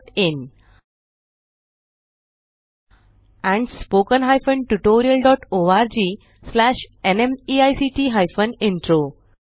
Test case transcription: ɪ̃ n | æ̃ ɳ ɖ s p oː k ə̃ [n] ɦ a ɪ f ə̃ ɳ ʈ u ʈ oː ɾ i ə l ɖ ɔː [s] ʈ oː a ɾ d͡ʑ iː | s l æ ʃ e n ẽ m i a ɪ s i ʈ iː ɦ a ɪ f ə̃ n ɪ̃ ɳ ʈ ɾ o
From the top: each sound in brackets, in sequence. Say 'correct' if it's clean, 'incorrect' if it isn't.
correct, incorrect: none

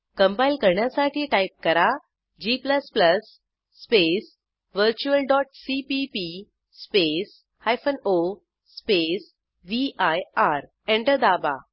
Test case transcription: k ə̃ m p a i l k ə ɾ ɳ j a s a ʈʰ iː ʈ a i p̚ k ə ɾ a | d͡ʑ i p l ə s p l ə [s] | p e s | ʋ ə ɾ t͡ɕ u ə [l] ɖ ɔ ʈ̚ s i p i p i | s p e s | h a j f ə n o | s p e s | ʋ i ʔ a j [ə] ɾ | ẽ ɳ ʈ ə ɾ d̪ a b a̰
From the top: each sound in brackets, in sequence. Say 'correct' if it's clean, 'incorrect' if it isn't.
incorrect: sː, correct, incorrect: a

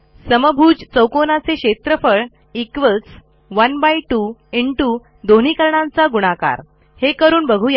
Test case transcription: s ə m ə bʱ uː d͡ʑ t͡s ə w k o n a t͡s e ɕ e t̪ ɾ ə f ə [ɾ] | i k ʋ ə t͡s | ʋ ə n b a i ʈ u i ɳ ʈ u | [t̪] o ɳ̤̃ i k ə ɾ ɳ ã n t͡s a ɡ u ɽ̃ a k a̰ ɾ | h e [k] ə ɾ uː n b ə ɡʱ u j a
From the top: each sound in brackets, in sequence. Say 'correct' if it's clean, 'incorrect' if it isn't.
incorrect: ɭ, incorrect: d̪, correct

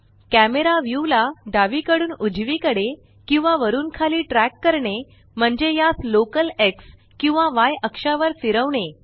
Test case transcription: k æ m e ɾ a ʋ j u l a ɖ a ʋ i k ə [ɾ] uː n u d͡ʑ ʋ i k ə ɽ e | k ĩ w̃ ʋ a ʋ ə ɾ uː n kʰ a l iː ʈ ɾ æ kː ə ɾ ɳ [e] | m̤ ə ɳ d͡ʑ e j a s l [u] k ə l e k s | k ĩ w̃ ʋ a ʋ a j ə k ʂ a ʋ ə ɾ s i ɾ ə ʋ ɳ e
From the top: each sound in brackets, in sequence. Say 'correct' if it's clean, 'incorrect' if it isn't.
incorrect: ɽ, correct, incorrect: o

